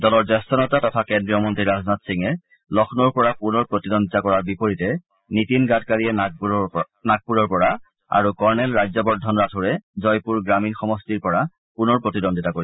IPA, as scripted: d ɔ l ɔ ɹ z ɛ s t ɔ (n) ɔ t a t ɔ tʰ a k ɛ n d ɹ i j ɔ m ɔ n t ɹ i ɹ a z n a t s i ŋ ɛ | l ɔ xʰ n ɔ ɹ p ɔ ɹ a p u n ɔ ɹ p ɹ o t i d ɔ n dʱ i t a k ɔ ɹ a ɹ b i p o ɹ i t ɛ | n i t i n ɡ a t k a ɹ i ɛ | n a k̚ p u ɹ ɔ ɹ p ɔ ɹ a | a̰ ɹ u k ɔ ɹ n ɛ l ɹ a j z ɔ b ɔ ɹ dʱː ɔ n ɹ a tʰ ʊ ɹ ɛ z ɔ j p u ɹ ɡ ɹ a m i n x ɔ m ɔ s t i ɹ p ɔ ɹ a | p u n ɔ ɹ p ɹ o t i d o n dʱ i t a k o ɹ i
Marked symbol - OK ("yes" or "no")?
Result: yes